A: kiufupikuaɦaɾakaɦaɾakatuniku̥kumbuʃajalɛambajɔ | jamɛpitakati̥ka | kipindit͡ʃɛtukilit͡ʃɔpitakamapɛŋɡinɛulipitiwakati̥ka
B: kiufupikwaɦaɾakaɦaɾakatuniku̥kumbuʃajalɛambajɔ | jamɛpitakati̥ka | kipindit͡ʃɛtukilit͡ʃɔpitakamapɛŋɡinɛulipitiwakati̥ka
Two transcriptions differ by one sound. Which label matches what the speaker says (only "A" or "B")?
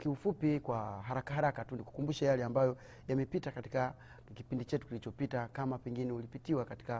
B